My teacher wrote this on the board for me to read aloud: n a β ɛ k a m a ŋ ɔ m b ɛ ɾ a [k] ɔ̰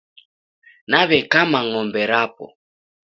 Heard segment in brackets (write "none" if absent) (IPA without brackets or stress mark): p